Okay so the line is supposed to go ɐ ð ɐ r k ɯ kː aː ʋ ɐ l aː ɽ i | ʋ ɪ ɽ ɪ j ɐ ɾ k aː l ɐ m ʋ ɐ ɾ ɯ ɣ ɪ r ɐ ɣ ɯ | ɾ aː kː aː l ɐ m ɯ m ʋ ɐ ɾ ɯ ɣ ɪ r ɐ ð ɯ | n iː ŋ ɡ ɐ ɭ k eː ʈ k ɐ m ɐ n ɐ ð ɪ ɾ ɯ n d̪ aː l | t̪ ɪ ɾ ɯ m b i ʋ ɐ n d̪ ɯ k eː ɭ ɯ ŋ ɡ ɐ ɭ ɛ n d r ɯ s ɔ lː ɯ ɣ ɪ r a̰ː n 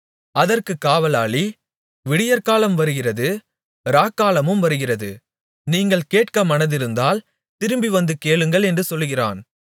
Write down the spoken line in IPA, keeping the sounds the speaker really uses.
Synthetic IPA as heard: ɐ ð ɐ r k ɯ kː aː ʋ ɐ l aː ɭ i | ʋ ɪ ɽ ɪ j ɐ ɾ k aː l ɐ m ʋ ɐ ɾ ɯ ɣ ɪ r ɐ ð ɯ | ɾ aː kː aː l ɐ m ɯ m ʋ ɐ ɾ ɯ ɣ ɪ r ɐ ð ɯ | n iː ŋ ɡ ɐ ɭ k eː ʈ k ɐ m ɐ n ɐ ð ɪ ɾ ɯ n d̪ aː l | t̪ ɪ ɾ ɯ m b i ʋ ɐ n d̪ ɯ k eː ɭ ɯ ŋ ɡ ɐ ɭ ɛ n d r ɯ s ɔ lː ɯ ɣ ɪ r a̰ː n